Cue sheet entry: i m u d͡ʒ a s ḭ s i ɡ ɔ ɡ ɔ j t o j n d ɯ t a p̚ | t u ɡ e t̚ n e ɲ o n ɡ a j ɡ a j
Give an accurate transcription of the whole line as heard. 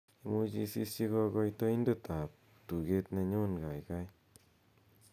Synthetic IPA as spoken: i m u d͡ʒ i s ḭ s i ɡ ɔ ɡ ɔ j t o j n d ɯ t a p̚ | t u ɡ e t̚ n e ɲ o n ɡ a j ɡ a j